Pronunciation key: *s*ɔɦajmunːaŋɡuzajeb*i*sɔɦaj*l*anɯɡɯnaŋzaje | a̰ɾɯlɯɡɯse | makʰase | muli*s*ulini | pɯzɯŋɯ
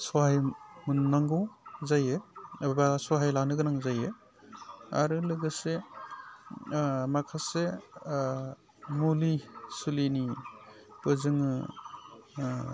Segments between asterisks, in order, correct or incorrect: correct, incorrect, correct, correct

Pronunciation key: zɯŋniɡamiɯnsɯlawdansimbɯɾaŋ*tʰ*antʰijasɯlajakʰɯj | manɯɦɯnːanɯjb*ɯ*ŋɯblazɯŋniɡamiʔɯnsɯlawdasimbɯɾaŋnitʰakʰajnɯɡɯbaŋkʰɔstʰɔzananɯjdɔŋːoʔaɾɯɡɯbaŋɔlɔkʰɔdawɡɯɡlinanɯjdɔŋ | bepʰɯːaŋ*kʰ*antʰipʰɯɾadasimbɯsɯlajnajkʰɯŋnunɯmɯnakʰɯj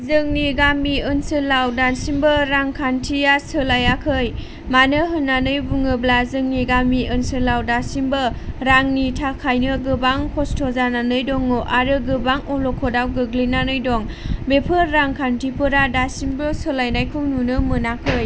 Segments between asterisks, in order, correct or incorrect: incorrect, incorrect, correct

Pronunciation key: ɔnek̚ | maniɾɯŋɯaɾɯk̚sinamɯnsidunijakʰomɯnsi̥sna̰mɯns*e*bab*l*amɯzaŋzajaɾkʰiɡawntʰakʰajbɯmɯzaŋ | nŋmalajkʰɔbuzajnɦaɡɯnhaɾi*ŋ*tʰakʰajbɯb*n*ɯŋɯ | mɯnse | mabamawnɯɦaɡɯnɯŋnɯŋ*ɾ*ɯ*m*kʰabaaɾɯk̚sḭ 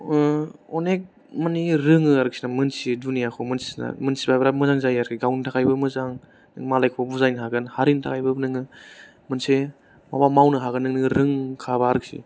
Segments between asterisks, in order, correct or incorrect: incorrect, incorrect, incorrect, correct, correct, incorrect

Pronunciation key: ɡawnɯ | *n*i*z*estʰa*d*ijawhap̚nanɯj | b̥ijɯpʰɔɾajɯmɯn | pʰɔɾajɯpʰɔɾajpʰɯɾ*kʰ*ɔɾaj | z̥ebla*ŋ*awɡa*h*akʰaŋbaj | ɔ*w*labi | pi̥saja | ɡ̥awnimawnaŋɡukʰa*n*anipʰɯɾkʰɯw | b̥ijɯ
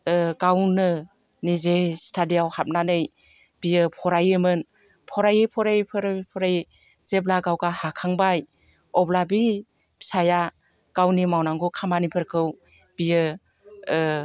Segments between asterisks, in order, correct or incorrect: correct, correct, correct, incorrect, incorrect, correct, incorrect, incorrect

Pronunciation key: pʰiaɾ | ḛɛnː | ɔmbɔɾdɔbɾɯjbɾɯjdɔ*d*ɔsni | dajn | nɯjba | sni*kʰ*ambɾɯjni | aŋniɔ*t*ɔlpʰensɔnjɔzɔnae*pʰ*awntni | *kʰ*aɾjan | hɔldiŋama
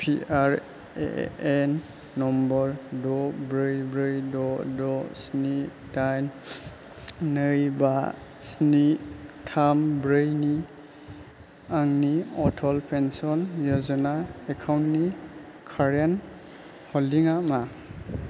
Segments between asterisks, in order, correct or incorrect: correct, incorrect, incorrect, incorrect, correct

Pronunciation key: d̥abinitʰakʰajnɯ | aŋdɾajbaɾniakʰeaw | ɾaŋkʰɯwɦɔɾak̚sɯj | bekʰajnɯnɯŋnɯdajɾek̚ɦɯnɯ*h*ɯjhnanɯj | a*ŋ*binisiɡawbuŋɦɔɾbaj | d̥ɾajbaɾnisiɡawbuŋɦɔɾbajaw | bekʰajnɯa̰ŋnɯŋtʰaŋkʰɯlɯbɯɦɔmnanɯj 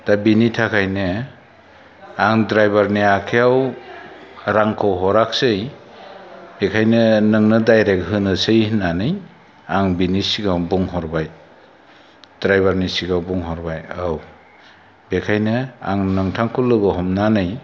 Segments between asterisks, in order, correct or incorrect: incorrect, correct

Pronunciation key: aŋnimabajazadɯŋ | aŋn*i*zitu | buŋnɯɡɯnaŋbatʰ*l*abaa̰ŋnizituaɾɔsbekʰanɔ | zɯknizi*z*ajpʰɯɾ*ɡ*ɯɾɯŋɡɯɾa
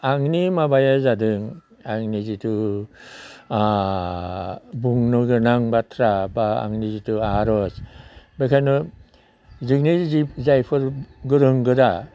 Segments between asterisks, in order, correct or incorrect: correct, incorrect, correct, correct

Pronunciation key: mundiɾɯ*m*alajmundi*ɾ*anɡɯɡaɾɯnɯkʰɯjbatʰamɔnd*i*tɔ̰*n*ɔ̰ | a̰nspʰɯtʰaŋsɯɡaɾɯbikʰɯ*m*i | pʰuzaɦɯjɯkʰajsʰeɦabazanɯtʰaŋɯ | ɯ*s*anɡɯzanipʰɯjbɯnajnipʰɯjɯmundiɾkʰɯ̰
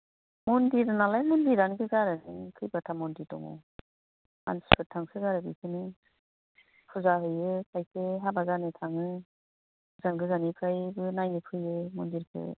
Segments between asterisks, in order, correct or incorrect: incorrect, correct, correct, incorrect, incorrect, incorrect

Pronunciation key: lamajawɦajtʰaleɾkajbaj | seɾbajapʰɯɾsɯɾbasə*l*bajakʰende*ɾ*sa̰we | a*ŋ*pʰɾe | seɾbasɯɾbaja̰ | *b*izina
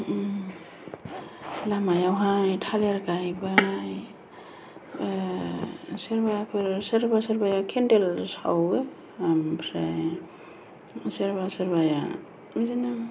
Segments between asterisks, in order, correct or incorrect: incorrect, incorrect, incorrect, incorrect

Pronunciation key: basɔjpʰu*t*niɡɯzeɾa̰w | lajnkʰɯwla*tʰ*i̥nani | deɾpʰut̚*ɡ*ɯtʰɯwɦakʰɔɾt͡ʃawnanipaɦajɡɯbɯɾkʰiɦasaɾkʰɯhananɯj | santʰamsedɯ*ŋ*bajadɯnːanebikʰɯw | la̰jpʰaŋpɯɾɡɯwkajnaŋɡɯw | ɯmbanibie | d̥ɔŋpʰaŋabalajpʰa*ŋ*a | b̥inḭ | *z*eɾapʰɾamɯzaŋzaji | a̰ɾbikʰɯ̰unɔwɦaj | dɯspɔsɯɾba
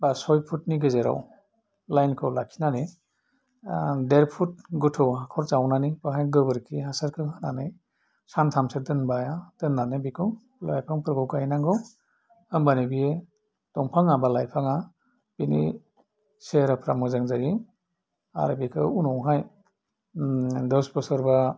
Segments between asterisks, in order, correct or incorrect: correct, incorrect, correct, incorrect, correct, incorrect

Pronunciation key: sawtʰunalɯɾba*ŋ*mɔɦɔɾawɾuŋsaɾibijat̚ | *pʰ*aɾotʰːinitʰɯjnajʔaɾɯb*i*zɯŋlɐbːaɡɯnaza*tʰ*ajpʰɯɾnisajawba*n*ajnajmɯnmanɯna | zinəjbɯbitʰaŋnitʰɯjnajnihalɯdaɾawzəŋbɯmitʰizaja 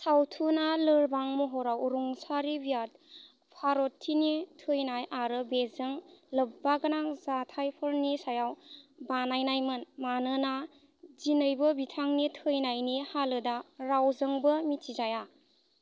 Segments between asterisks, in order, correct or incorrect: correct, correct, incorrect, correct, correct

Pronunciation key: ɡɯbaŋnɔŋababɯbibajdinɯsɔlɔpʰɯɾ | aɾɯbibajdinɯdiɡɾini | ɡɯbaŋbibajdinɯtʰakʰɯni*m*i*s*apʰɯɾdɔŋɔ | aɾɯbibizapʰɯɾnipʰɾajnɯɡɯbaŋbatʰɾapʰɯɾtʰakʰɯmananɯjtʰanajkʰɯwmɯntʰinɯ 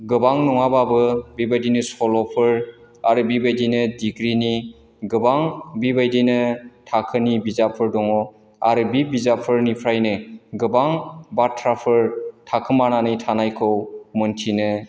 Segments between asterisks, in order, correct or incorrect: incorrect, incorrect

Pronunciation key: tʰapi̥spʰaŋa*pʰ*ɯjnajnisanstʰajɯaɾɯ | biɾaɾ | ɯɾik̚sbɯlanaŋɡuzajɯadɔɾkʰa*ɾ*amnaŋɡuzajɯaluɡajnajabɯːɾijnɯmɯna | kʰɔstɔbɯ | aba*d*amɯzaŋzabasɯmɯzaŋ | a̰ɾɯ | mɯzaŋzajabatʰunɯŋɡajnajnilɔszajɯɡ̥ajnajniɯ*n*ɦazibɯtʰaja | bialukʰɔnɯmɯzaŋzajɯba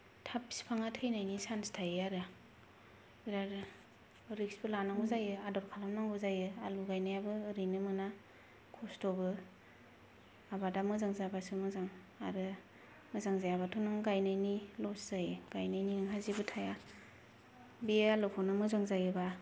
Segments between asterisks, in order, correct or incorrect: incorrect, incorrect, correct, incorrect

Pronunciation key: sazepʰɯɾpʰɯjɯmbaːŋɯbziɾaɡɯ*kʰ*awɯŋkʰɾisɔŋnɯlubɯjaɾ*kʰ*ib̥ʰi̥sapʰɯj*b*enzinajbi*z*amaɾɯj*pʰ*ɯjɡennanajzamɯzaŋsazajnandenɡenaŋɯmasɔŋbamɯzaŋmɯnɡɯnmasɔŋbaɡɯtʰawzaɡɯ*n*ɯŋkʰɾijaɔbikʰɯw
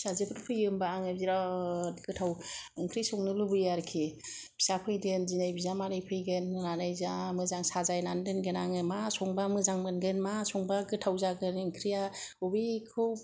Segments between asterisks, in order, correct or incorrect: incorrect, correct, incorrect, correct, correct, correct

